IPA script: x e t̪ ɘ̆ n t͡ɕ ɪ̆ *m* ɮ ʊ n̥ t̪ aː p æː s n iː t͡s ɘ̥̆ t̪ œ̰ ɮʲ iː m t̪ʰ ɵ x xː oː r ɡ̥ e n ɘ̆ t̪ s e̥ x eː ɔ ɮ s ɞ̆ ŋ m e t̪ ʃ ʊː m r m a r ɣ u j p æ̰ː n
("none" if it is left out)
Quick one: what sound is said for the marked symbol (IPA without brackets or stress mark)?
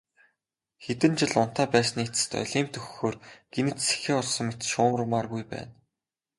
none